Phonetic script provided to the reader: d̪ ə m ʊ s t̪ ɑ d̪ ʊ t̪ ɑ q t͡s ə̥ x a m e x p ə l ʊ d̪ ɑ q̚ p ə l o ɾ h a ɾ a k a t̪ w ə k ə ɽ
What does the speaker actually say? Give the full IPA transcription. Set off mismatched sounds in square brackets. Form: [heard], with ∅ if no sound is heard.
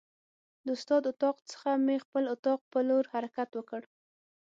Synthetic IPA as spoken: d̪ ə [∅] ʊ s t̪ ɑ d̪ ʊ t̪ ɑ q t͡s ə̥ x a m e x p ə l ʊ [t̪] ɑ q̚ p ə l o ɾ h a ɾ a k a t̪ w ə k ə ɽ